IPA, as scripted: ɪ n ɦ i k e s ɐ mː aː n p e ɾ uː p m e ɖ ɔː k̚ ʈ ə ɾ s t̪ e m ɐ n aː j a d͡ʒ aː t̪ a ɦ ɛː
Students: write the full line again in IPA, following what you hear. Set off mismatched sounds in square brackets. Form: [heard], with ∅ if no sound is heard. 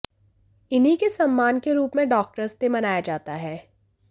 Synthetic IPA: ɪ n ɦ i k e s ɐ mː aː n [k] e ɾ uː p m [ẽ] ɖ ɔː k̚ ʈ ə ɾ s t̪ e m ɐ n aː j a d͡ʒ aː t̪ a ɦ ɛː

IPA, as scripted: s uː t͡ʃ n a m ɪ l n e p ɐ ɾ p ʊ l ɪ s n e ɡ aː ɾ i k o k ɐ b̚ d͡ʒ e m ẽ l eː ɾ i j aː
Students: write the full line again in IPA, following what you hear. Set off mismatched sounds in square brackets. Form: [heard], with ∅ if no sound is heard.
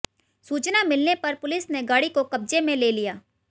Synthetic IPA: s uː t͡ʃ n a m ɪ l n e p ɐ ɾ p ʊ l ɪ s n e ɡ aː [ɽ] i k o k ɐ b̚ d͡ʒ e m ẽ l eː [l] i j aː

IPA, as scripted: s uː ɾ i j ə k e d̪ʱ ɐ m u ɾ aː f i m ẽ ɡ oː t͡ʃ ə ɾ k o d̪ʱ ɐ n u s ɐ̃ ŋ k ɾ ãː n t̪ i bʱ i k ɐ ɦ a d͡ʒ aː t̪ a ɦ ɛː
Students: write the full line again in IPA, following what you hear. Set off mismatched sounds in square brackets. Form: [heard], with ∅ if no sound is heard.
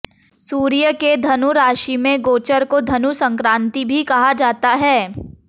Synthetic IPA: s uː ɾ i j ə k e d̪ʱ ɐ [n] u ɾ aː [ʃ] i m ẽ ɡ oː t͡ʃ ə ɾ k o d̪ʱ ɐ n u s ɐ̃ ŋ k ɾ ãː n t̪ i bʱ i k ɐ ɦ a d͡ʒ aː t̪ a ɦ ɛː

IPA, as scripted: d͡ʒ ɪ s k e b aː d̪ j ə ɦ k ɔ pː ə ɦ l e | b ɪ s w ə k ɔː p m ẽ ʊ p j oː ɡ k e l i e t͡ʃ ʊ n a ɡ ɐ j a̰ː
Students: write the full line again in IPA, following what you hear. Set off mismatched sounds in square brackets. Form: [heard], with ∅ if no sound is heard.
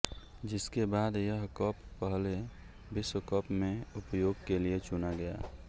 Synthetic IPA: d͡ʒ ɪ s k e b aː d̪ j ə ɦ k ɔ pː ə ɦ l e | b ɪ s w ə k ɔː p m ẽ ʊ p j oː ɡ k e l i e t͡ʃ ʊ n a ɡ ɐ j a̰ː

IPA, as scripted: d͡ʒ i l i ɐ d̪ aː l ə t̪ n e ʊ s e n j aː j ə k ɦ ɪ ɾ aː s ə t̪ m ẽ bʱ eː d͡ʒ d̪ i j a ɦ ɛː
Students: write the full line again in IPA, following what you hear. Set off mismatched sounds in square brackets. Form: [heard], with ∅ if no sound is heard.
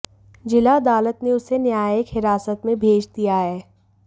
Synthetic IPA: d͡ʒ [ɪ] l [a] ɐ d̪ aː l ə t̪ n e ʊ s e n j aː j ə k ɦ ɪ ɾ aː s ə t̪ m ẽ bʱ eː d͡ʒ d̪ i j a ɦ ɛː

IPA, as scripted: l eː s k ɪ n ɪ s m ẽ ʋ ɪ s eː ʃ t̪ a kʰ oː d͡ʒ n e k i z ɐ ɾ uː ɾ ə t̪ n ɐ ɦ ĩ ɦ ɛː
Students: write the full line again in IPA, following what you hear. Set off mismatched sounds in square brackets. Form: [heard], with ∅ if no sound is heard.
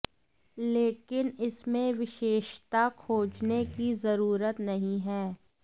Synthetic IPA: l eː [∅] k ɪ n ɪ s m ẽ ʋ ɪ [ʃ] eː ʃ t̪ a kʰ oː d͡ʒ n e k i z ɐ ɾ uː ɾ ə t̪ n ɐ ɦ ĩ ɦ ɛː

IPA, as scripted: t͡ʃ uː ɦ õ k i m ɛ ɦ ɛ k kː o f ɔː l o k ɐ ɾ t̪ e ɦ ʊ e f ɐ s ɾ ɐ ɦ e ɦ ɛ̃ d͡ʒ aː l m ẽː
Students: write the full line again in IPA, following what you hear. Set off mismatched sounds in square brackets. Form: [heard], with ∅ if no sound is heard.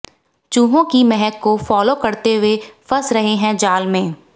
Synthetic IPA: t͡ʃ uː ɦ õ k i m ɛ ɦ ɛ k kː o f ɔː l o k ɐ ɾ t̪ e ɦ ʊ e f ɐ s ɾ ɐ ɦ e ɦ ɛ̃ d͡ʒ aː l m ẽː

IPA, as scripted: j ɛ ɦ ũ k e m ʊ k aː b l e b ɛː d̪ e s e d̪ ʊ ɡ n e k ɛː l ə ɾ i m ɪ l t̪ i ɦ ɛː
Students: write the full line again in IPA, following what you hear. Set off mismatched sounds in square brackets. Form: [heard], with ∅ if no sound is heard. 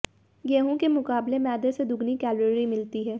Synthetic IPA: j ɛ ɦ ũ k e m ʊ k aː b l e [m] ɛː d̪ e s e d̪ ʊ ɡ n [i] k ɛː l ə ɾ i m ɪ l t̪ i ɦ ɛː

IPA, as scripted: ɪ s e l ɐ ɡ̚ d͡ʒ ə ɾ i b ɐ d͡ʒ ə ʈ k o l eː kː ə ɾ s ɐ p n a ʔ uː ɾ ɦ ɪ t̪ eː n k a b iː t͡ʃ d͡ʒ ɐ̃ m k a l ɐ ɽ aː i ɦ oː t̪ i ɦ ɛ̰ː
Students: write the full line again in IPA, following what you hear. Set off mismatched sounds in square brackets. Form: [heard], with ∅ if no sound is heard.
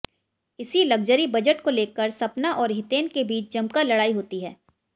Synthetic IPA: ɪ s [i] l ɐ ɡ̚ d͡ʒ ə ɾ i b ɐ d͡ʒ ə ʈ k o l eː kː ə ɾ s ɐ p n a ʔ [ɔː] ɾ ɦ ɪ t̪ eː n k [e] b iː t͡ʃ d͡ʒ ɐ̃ m k a l ɐ ɽ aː i ɦ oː t̪ i ɦ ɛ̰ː

